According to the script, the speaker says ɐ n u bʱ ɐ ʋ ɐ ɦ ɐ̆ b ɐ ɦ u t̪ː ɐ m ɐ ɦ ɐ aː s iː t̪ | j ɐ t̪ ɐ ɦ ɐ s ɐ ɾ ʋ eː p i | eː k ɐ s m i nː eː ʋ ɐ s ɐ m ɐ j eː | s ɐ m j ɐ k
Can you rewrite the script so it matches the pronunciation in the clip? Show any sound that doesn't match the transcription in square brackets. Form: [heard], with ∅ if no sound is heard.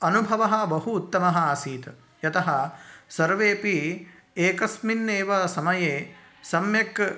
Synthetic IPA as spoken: ɐ n u bʱ ɐ ʋ ɐ ɦ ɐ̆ b ɐ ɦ [uː] t̪ː ɐ m ɐ ɦ ɐ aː s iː t̪ | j ɐ t̪ ɐ ɦ ɐ s ɐ ɾ ʋ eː p i | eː k ɐ s m i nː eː ʋ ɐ s ɐ m ɐ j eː | s ɐ m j ɐ k